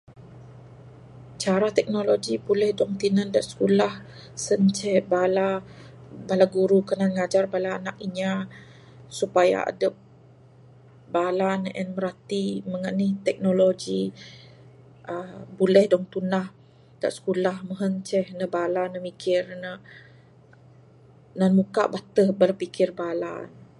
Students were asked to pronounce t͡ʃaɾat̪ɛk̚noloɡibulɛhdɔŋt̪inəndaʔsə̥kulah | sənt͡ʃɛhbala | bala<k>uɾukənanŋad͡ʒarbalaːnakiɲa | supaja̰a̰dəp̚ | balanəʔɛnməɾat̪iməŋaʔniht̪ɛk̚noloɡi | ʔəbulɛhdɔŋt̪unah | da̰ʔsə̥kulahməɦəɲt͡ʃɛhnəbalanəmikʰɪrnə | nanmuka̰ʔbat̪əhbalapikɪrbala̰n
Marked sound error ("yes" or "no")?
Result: yes